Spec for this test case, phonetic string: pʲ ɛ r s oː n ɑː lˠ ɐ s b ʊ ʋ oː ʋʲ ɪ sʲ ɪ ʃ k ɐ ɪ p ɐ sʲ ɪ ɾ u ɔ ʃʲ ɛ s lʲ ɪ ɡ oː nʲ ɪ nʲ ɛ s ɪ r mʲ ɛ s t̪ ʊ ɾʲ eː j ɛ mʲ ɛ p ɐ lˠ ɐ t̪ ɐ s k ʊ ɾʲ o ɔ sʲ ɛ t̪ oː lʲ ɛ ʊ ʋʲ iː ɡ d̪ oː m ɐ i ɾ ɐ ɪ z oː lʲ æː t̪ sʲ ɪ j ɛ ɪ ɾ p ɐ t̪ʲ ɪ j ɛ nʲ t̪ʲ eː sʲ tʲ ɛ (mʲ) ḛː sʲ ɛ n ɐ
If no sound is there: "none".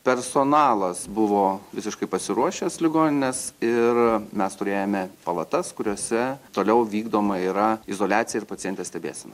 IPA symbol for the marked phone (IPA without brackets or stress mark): bʲ